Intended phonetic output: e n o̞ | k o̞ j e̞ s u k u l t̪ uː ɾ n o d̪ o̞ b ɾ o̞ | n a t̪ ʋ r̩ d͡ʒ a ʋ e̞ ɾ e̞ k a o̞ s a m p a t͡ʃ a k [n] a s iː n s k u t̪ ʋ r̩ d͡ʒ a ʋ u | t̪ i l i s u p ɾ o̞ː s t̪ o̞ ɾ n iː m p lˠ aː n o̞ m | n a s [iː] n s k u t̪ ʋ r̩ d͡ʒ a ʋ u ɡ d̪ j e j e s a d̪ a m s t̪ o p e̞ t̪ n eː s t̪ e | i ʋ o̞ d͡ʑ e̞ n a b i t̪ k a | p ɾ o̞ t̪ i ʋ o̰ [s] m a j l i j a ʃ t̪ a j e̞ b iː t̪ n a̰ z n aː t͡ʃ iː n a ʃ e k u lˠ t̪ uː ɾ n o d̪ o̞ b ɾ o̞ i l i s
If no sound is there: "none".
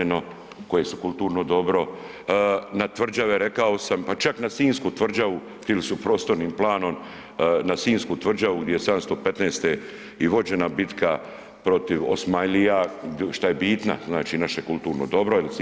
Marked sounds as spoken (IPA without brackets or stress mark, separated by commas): n, iː, s